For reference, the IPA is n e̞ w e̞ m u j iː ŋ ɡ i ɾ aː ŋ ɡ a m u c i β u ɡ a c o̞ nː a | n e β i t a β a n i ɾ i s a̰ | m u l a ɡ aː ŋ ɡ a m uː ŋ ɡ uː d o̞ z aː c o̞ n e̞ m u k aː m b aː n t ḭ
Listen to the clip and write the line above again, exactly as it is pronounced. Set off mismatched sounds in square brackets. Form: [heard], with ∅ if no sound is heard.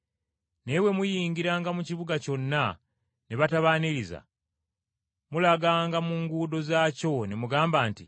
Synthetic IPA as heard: n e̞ w e̞ m u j iː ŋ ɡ i ɾ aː ŋ ɡ a m u c i β u ɡ a c o̞ nː a | n e β [a] t a β a n i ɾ i [z] a̰ | m u l a ɡ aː ŋ ɡ a m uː ŋ ɡ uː d o̞ z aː c o̞ n e̞ m u [ɡ] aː m b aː n t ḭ